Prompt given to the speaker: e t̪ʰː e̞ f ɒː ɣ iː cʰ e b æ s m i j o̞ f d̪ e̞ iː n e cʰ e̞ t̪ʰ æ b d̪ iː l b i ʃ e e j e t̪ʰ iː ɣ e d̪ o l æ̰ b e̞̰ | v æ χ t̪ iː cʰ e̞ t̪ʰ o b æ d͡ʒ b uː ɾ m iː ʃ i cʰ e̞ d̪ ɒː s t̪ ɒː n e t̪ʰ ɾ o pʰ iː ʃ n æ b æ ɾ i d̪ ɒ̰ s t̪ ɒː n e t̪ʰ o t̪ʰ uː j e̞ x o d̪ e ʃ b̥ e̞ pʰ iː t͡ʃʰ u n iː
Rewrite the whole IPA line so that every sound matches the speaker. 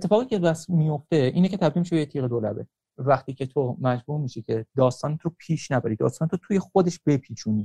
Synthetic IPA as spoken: e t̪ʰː e̞ f ɒː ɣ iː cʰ e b æ s m i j o̞ f t̪ e̞ iː n e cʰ e̞ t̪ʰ æ b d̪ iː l m i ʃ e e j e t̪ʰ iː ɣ e d̪ o l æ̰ b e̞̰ | v æ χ t̪ iː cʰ e̞ t̪ʰ o m æ d͡ʒ b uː ɾ m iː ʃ i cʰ e̞ d̪ ɒː s t̪ ɒː n e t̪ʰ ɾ o pʰ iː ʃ n æ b æ ɾ i d̪ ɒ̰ s t̪ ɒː n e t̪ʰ o t̪ʰ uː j e̞ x o d̪ e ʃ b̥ e̞ pʰ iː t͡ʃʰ u n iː